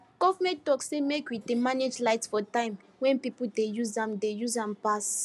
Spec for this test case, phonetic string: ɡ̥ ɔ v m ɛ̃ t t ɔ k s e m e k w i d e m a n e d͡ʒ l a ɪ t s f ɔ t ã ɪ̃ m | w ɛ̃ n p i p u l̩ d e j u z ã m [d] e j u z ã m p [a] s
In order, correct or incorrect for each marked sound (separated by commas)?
correct, correct